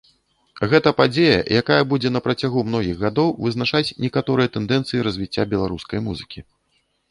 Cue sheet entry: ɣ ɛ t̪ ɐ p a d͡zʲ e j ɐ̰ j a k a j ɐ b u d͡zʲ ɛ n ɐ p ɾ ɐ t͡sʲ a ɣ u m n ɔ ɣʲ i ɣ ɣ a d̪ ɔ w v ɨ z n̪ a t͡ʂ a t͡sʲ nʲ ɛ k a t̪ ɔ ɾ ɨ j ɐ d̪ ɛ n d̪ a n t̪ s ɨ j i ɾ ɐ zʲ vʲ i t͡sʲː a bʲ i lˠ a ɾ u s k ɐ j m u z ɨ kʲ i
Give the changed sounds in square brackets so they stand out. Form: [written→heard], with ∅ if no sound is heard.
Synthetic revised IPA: ɣ ɛ t̪ ɐ p a d͡zʲ e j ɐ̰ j a k a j ɐ b u d͡zʲ ɛ n ɐ p ɾ ɐ t͡sʲ a ɣ u m n ɔ ɣʲ i ɣ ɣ a d̪ ɔ w v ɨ z n̪ a t͡ʂ a t͡sʲ nʲ ɛ k a t̪ ɔ ɾ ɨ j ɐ [d̪→t̪] ɛ n d̪ [a→ɛ] n t̪ s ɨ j i ɾ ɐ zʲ vʲ i t͡sʲː a bʲ [i→ɛ] lˠ a ɾ u s k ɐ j m u z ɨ kʲ i

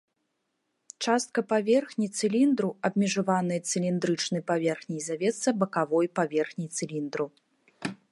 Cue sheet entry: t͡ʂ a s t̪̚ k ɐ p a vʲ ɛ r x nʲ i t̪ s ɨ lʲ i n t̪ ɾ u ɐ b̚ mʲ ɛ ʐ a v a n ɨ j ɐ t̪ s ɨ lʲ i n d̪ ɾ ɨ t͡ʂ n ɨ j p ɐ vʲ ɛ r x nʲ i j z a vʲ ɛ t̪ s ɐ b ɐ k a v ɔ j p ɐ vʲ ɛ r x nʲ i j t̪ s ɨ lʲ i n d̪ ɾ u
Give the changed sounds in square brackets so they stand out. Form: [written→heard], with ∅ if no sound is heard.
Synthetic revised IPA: t͡ʂ a s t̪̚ k ɐ p a vʲ ɛ r x nʲ i t̪ s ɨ lʲ i n [t̪→d̪] ɾ u ɐ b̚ mʲ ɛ ʐ a v a n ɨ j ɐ t̪ s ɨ lʲ i n d̪ ɾ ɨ t͡ʂ n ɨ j p [ɐ→a] vʲ ɛ r x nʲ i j z a vʲ ɛ t̪ s ɐ b ɐ k a v ɔ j p [ɐ→a] vʲ ɛ r x nʲ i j t̪ s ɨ lʲ i n d̪ ɾ u

